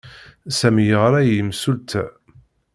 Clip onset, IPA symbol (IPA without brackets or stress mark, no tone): s